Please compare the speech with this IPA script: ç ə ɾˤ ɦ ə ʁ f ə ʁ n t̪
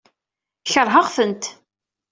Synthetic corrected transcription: ç ə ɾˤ ɦ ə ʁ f ə n t̪